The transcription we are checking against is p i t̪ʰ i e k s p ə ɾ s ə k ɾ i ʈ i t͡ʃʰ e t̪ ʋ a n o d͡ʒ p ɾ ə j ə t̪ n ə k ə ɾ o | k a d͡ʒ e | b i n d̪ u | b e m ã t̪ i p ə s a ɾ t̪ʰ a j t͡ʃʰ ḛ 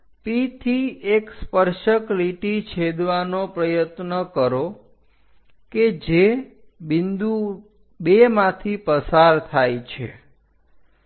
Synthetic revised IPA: p i t̪ʰ i e k s p ə ɾ ʃ ə k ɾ i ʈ i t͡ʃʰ e d̪ ʋ a n o p ɾ ə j ə t̪ n ə k ə ɾ o | k e d͡ʒ e | b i n d̪ u | b e m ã t̪ʰ i p ə s a ɾ t̪ʰ a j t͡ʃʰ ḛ